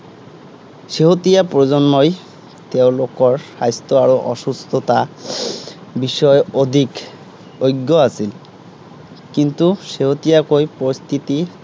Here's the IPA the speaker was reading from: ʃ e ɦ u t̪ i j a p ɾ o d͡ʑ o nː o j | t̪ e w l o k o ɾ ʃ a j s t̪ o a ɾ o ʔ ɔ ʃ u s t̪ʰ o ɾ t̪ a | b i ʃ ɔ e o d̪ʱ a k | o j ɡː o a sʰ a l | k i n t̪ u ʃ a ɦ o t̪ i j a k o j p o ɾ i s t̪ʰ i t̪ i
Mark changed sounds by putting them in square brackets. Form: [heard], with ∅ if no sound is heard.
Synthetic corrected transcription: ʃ e ɦ [o] t̪ i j a p ɾ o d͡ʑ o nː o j | t̪ e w l o k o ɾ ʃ a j s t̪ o a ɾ o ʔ ɔ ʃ u s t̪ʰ o [∅] t̪ a | b i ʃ ɔ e o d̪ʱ [i] k | o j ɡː o a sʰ [i] l | k i n t̪ u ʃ [e] ɦ o t̪ i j a k o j p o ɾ i s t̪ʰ i t̪ i